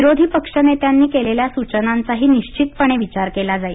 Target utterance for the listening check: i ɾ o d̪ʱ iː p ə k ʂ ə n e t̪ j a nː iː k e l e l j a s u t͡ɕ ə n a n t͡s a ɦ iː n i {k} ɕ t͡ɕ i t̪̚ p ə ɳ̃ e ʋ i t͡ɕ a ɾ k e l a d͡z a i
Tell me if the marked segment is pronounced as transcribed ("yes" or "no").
no